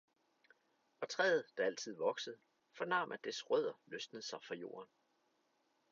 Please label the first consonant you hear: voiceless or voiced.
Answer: voiceless